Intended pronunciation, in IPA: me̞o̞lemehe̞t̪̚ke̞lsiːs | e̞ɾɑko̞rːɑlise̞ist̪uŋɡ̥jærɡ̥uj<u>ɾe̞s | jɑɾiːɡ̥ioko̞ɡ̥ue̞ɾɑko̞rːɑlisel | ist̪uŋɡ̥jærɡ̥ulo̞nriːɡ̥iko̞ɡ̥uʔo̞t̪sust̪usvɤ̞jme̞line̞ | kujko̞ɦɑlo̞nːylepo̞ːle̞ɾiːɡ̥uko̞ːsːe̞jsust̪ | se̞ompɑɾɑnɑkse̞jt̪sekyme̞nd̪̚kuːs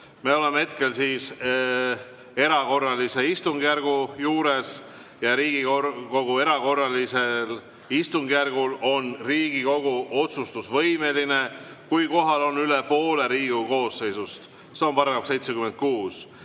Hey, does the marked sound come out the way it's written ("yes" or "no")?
no